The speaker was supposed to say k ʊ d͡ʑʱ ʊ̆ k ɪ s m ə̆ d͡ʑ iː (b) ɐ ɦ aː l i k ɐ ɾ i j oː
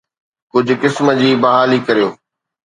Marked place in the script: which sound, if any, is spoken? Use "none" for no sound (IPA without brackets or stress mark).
b